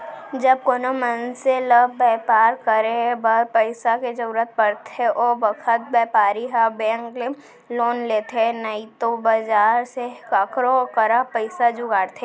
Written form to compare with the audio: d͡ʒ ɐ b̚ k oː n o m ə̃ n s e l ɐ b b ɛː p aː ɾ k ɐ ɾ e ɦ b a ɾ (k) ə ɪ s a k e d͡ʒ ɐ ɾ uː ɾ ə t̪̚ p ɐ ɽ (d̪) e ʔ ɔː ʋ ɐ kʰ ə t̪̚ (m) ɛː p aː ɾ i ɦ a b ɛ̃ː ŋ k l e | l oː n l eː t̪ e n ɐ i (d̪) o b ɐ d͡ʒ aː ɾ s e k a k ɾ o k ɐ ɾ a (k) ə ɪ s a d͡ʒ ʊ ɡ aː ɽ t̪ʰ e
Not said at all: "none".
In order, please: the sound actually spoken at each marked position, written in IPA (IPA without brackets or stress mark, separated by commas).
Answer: p, t̪, b, t̪, p